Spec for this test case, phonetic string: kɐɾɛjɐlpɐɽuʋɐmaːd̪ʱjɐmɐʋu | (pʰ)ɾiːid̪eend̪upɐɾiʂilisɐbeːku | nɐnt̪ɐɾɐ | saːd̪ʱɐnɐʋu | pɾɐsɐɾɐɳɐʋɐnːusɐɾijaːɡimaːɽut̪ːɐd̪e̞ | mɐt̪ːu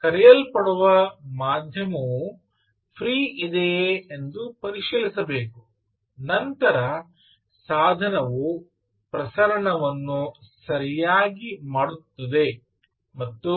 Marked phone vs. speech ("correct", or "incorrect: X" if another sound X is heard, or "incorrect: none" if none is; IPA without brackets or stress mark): correct